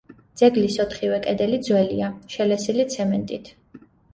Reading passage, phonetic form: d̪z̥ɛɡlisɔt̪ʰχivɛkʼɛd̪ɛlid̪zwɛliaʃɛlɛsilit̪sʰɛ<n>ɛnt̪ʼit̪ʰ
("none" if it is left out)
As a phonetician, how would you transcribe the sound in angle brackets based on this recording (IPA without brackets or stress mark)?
m